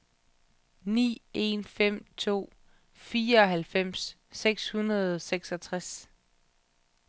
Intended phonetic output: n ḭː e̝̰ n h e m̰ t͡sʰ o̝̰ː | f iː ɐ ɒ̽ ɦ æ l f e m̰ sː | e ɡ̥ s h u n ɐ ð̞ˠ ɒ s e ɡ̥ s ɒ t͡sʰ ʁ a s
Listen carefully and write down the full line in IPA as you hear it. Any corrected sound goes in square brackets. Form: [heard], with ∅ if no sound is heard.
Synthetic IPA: n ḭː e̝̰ n [f] e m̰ t͡sʰ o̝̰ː | f iː ɐ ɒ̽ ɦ æ l f e m̰ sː | e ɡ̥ s h u n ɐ ð̞ˠ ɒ s e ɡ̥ s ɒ t͡sʰ ʁ a s